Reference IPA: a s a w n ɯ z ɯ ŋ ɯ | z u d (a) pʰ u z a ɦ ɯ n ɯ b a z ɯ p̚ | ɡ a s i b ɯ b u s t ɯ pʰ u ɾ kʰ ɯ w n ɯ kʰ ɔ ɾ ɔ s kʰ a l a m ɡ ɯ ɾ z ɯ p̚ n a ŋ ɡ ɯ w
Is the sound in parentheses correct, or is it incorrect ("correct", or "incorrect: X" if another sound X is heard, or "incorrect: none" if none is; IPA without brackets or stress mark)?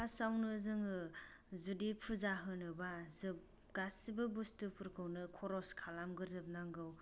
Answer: incorrect: i